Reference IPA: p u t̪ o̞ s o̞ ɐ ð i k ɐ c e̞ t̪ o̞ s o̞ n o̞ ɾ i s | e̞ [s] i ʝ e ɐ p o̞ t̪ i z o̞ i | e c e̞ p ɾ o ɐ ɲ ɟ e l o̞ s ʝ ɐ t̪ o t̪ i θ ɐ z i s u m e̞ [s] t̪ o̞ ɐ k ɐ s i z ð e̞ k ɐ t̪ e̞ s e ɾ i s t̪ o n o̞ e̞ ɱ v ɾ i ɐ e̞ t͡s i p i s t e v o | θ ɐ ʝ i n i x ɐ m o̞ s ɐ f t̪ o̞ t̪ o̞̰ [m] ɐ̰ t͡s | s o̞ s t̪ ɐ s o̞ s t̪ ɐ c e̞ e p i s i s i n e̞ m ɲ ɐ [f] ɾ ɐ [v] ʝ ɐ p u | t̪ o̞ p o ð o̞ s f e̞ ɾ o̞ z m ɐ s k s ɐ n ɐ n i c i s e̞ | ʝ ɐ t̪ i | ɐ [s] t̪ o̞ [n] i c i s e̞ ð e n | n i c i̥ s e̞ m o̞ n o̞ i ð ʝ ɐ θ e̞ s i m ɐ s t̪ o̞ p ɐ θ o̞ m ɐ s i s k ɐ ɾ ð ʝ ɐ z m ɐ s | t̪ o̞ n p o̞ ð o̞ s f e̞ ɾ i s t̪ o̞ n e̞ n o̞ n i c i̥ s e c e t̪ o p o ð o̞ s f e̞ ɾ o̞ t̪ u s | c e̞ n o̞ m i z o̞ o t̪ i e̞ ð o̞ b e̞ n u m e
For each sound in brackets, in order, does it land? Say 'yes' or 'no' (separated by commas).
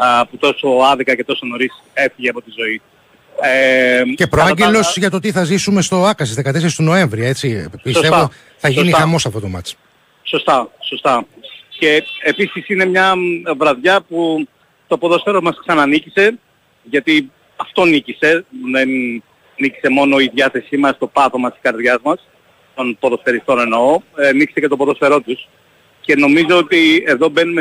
no, yes, yes, no, no, no, yes